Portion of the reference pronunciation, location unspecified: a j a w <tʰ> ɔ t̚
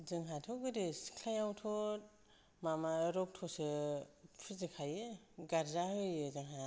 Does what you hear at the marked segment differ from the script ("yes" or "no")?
no